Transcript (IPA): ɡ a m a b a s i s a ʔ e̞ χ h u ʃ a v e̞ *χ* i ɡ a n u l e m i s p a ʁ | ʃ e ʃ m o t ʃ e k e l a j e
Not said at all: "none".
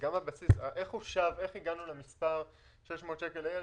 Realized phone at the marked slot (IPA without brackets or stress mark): χ